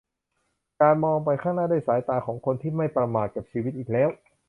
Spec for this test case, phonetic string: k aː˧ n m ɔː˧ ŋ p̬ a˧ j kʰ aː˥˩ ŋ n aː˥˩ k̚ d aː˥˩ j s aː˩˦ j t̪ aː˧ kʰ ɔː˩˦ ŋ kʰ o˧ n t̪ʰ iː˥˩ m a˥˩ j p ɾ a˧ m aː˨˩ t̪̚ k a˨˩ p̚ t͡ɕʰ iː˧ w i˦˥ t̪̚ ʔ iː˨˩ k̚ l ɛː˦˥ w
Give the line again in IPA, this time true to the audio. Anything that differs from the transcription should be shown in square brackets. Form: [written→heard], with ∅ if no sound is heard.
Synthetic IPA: k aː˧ n m ɔː˧ ŋ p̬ a˧ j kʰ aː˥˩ ŋ n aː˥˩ [k̚→∅] d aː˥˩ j s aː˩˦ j t̪ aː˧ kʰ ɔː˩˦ ŋ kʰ o˧ n t̪ʰ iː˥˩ m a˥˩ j p ɾ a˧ m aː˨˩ t̪̚ k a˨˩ p̚ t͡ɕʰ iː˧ w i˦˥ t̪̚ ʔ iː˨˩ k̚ l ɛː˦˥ w